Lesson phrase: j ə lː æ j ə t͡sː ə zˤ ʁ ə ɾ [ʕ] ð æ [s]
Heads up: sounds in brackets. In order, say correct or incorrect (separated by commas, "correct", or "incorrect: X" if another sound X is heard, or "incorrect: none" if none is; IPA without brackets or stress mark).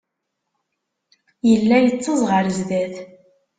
incorrect: z, incorrect: θ